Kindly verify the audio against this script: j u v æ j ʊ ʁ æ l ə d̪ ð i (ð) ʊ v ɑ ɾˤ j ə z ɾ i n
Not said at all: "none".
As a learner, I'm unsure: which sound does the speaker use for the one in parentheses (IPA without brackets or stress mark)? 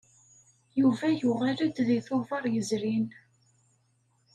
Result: θ